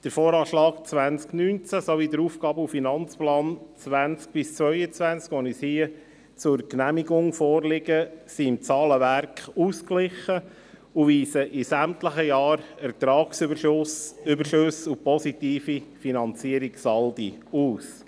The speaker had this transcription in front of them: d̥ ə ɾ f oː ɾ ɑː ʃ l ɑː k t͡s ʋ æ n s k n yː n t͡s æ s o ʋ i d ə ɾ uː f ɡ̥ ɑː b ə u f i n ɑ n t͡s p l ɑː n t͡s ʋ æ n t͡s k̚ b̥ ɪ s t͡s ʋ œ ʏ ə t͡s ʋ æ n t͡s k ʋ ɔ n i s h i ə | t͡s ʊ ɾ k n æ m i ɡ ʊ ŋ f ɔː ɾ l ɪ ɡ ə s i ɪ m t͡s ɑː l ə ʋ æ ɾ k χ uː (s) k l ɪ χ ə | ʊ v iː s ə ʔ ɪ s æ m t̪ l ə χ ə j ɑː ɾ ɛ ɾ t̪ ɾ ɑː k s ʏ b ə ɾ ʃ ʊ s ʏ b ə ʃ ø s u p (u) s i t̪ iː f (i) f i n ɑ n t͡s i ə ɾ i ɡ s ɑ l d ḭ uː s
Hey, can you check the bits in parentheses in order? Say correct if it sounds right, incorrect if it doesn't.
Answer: correct, incorrect: ɔ, correct

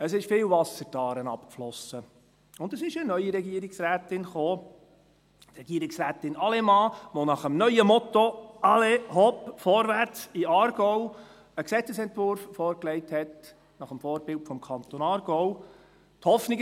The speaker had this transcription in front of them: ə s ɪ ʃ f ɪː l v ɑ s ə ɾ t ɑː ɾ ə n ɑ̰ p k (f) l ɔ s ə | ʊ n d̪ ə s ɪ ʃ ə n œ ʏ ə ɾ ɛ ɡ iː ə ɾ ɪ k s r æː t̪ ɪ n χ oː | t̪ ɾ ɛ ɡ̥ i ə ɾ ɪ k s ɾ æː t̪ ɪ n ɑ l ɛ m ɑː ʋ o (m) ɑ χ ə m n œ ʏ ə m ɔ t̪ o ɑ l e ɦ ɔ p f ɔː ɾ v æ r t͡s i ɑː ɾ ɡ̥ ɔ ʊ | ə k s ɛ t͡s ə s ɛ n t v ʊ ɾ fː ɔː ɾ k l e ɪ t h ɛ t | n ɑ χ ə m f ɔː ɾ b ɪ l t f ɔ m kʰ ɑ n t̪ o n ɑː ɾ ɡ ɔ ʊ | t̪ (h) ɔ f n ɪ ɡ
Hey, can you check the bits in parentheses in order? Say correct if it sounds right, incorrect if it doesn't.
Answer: correct, incorrect: n, correct

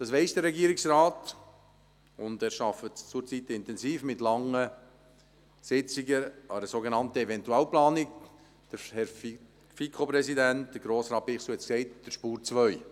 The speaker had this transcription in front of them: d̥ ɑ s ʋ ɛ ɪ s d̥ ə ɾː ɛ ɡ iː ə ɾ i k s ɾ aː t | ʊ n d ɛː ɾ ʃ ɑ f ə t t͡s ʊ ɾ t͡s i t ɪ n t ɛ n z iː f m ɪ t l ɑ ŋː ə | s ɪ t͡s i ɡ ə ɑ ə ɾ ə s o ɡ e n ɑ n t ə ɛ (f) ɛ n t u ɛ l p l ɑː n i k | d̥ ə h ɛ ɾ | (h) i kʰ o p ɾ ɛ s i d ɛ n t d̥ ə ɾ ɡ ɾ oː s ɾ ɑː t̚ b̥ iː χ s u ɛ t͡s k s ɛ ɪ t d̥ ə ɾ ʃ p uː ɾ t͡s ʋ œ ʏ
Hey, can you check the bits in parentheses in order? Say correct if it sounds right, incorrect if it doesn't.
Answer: incorrect: v, incorrect: f

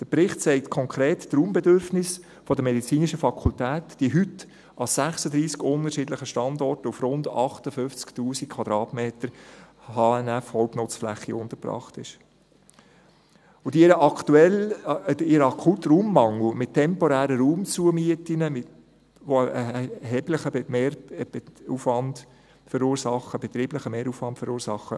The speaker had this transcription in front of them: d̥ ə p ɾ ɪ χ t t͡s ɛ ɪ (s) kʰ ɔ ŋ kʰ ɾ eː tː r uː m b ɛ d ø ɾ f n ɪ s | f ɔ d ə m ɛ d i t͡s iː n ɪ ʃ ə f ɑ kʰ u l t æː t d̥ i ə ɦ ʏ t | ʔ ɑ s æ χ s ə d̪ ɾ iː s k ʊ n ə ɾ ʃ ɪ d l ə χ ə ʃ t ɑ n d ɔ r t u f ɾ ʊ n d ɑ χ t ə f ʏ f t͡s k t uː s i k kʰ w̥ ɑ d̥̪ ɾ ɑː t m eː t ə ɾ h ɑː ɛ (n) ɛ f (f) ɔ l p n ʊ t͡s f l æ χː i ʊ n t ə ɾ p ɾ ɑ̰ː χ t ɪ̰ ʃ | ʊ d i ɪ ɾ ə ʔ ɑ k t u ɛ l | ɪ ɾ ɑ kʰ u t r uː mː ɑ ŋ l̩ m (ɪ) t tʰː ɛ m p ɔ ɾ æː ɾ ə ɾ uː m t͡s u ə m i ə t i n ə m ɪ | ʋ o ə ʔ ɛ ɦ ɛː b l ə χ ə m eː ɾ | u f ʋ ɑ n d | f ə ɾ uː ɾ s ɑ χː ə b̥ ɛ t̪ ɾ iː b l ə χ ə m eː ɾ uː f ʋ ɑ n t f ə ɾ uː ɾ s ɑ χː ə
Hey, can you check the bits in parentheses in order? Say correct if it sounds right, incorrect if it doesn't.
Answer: incorrect: t, correct, incorrect: h, correct

